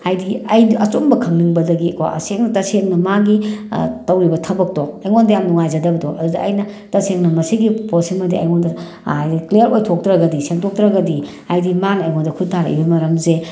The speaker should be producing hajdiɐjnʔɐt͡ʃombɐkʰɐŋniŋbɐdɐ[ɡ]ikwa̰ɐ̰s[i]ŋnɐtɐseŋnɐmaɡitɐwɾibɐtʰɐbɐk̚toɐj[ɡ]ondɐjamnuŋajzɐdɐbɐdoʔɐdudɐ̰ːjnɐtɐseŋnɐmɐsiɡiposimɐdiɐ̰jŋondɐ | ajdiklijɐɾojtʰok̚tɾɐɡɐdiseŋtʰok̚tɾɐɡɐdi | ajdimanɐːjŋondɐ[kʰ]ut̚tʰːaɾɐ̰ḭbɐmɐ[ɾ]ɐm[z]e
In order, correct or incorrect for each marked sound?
correct, incorrect, incorrect, correct, correct, correct

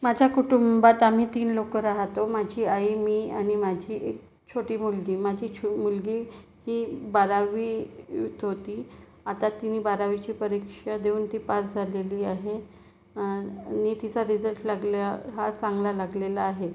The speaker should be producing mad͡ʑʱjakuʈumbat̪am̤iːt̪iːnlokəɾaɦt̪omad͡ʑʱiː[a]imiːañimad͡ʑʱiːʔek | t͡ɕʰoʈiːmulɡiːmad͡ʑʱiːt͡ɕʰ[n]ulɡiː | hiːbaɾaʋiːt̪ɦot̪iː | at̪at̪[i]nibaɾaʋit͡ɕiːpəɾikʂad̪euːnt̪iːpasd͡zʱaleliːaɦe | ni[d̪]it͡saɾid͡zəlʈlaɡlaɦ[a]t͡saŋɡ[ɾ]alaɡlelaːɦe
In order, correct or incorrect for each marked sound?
correct, incorrect, correct, incorrect, correct, incorrect

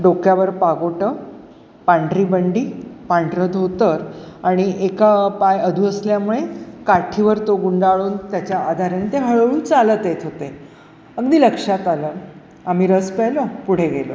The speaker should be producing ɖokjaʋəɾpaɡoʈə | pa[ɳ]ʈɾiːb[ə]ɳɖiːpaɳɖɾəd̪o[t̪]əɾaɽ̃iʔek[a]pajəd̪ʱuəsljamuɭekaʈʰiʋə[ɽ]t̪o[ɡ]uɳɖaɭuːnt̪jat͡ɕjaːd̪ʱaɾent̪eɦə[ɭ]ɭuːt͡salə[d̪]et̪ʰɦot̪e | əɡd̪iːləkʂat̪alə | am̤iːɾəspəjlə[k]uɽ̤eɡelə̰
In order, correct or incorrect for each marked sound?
correct, correct, correct, correct, incorrect, correct, correct, incorrect, incorrect

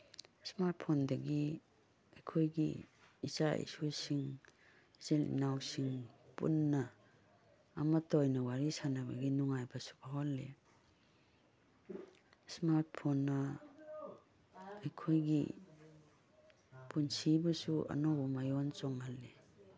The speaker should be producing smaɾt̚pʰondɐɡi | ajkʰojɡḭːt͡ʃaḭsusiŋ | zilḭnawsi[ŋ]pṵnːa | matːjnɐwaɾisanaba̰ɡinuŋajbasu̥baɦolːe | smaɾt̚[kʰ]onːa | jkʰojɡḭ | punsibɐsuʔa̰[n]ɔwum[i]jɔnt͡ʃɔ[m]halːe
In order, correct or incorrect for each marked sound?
correct, incorrect, correct, incorrect, incorrect

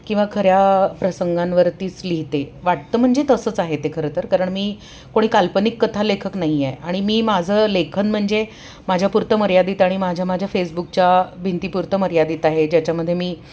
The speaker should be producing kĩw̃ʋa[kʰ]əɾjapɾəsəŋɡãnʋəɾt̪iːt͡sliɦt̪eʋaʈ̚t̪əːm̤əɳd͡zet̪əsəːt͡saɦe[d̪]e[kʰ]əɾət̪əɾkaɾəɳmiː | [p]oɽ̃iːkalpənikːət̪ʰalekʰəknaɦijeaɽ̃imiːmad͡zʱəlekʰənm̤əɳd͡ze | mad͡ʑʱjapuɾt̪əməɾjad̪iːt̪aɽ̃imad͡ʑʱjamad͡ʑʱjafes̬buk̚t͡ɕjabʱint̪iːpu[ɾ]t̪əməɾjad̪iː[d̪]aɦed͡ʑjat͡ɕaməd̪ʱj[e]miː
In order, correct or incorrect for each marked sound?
correct, incorrect, correct, incorrect, correct, incorrect, correct

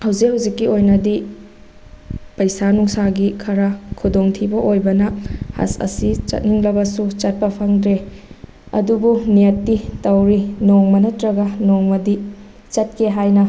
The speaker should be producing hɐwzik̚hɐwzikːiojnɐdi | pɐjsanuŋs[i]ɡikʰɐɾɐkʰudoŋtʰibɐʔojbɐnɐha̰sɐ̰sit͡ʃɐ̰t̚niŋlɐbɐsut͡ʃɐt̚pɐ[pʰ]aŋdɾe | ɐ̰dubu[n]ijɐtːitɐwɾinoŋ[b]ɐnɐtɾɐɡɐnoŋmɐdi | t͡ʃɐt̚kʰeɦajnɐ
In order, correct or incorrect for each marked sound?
incorrect, correct, correct, incorrect

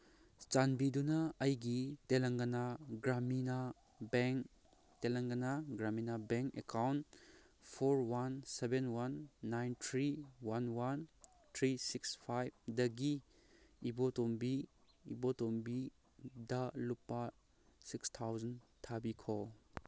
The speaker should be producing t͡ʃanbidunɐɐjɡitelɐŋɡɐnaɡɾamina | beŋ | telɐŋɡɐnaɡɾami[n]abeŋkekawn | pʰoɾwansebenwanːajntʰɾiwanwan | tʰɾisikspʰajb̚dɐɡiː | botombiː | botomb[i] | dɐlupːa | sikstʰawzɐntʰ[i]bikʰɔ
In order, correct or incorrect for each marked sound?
correct, correct, incorrect

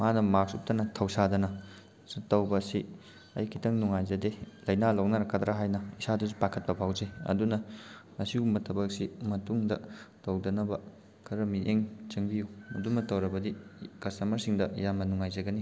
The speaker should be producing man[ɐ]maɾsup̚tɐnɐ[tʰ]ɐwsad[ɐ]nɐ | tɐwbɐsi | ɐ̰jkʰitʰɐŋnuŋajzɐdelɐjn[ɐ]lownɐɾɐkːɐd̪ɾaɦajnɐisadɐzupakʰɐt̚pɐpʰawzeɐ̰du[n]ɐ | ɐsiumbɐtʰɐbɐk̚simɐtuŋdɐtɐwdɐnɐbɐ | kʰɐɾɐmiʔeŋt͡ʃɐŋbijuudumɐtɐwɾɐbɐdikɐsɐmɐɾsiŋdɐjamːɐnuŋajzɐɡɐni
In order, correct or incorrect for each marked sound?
correct, correct, correct, incorrect, correct

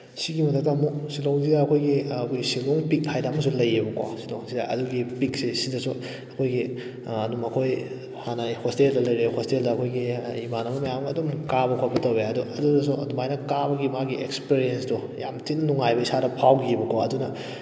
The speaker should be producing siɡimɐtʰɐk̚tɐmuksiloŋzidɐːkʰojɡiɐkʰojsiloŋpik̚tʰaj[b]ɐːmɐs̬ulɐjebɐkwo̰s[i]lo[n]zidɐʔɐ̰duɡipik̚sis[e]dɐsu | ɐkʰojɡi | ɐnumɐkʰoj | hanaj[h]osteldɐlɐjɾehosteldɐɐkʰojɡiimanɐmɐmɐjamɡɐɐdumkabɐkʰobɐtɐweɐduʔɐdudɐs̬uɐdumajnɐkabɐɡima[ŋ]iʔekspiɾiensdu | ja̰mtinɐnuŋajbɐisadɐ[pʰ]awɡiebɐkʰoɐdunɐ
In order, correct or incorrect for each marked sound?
incorrect, correct, incorrect, incorrect, correct, incorrect, correct

